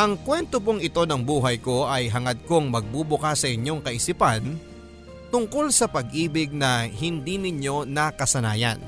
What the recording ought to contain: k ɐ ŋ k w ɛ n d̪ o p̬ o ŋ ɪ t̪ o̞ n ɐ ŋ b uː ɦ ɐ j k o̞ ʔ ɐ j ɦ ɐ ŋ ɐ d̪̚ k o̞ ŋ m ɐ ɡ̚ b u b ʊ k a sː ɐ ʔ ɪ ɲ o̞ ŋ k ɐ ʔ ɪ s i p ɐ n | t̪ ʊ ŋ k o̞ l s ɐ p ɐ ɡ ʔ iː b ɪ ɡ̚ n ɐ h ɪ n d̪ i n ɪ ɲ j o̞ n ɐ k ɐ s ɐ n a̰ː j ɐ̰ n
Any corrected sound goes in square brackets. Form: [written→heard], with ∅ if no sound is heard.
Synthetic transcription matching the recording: [k→ʔ] ɐ ŋ k w ɛ n [d̪→t̪] o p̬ o ŋ ɪ t̪ o̞ n ɐ ŋ b uː ɦ ɐ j k o̞ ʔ ɐ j ɦ ɐ ŋ ɐ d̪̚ k o̞ ŋ m ɐ ɡ̚ b u b ʊ k a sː ɐ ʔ ɪ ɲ o̞ ŋ k ɐ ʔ ɪ s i p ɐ n | t̪ ʊ ŋ k o̞ l s ɐ p ɐ ɡ ʔ iː b ɪ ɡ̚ n ɐ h ɪ n d̪ i n ɪ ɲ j o̞ n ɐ k ɐ s ɐ n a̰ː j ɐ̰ n